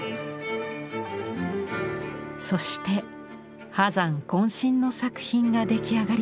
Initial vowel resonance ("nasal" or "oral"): oral